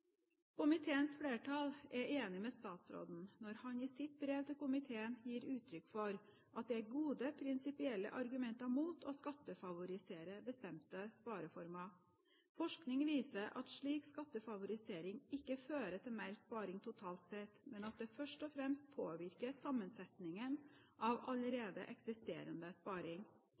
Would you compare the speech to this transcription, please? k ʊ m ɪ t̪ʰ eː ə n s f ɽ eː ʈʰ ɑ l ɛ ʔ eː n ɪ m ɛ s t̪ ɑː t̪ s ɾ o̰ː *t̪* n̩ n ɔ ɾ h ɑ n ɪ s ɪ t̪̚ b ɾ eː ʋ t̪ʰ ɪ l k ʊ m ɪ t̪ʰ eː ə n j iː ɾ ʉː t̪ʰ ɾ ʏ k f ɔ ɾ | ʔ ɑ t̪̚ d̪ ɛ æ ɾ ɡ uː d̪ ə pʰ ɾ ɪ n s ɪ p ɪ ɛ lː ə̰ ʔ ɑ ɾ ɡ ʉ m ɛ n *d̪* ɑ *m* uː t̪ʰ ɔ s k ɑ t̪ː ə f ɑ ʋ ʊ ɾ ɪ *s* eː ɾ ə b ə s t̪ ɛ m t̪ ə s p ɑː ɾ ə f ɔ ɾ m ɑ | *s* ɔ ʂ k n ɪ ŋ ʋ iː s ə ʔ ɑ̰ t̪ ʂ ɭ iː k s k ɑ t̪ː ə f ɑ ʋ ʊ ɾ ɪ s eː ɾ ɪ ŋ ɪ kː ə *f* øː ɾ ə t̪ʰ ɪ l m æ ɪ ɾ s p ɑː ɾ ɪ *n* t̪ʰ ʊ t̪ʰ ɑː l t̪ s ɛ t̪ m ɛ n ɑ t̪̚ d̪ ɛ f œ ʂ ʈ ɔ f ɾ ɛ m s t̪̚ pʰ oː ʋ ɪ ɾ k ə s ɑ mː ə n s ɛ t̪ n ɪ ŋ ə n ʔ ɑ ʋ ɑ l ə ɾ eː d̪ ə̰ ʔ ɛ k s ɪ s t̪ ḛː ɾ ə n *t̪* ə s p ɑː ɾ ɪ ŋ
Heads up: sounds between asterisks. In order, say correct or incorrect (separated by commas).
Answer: incorrect, incorrect, correct, correct, incorrect, correct, incorrect, incorrect